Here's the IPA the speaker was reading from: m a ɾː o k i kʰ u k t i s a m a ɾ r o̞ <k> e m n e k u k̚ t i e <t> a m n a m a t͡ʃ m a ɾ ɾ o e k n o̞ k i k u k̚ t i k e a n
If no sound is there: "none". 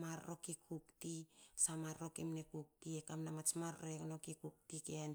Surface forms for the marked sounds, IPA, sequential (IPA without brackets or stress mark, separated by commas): k, k